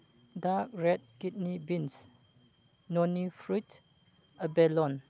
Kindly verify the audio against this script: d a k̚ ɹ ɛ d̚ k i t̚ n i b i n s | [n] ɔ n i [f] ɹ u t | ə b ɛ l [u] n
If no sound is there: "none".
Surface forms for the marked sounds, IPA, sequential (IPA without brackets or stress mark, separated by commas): n, f, ɔ